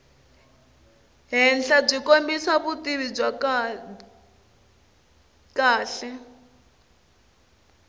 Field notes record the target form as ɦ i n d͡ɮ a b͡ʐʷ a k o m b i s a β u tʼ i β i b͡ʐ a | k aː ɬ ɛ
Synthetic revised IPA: ɦ ɛ n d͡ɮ a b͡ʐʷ i k o m b i s a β u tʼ i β i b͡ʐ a | k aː ɬ ɛ